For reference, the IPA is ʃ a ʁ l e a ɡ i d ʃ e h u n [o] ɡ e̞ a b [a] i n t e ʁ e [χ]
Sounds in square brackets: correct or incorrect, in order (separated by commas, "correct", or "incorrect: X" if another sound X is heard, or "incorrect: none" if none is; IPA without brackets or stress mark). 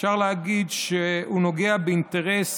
correct, incorrect: e, incorrect: s